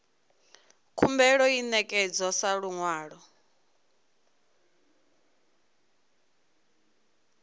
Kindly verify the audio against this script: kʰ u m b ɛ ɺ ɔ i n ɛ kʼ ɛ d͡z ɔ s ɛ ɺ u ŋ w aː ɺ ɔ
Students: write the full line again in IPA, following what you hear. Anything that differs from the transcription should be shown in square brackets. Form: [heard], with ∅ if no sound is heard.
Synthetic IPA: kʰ u m b ɛ ɺ ɔ i n ɛ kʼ ɛ d͡z ɔ s [a] ɺ u ŋ w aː ɺ ɔ